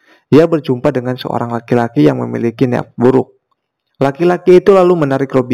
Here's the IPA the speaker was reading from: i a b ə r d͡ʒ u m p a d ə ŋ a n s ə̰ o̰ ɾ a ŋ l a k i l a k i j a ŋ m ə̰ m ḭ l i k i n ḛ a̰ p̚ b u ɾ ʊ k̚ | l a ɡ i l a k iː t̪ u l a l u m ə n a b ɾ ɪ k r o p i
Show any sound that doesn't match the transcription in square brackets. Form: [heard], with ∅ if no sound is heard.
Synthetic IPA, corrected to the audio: i a b ə r d͡ʒ u m p a d ə ŋ a n s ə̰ o̰ ɾ a ŋ l a k i l a k i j a ŋ m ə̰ m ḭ l i k i n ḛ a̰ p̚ b u ɾ ʊ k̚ | l a [k] i l a k iː t̪ u l a l u m ə n a [∅] ɾ ɪ k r o [b] i